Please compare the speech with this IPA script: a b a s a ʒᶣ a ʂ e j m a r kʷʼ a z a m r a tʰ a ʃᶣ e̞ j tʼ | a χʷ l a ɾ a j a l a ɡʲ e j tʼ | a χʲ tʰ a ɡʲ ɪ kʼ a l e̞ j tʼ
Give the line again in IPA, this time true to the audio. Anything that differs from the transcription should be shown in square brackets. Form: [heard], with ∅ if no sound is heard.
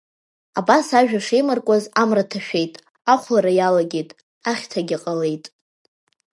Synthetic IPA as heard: a b a s a ʒᶣ a ʂ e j m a r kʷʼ a z a m r a tʰ a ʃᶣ e̞ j tʼ | a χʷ l a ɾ a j a l a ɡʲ e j tʼ | a χʲ tʰ a ɡʲ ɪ [qʼ] a l e̞ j tʼ